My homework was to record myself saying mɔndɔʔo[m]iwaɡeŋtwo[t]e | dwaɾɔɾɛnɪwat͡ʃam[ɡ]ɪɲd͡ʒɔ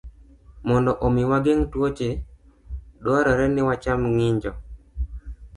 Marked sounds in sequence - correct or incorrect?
correct, incorrect: t͡ʃ, incorrect: ŋ

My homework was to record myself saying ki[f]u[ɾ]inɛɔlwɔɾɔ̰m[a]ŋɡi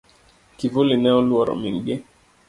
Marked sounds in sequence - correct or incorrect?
incorrect: v, incorrect: l, incorrect: i

